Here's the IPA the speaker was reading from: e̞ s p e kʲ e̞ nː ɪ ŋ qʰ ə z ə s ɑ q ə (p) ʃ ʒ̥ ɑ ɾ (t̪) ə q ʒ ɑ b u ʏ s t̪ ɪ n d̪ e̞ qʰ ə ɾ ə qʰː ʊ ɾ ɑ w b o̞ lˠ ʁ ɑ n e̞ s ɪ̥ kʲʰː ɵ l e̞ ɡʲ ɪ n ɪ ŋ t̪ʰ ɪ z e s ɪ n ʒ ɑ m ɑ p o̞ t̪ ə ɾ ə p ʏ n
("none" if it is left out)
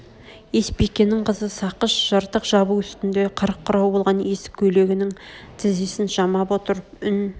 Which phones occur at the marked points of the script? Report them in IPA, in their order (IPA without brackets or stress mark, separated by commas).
none, t̪